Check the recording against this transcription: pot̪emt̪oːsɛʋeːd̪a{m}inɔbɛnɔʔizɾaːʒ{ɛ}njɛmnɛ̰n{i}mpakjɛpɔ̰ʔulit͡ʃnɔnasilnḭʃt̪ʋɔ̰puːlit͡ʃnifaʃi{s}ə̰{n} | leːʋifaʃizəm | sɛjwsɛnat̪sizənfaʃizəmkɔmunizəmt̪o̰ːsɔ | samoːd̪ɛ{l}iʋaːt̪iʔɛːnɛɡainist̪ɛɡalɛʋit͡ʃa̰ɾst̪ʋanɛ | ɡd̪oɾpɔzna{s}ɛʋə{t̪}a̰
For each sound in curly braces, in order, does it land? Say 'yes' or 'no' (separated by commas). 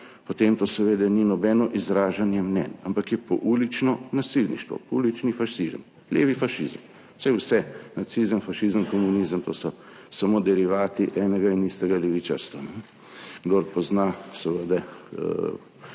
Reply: no, no, no, no, no, no, yes, no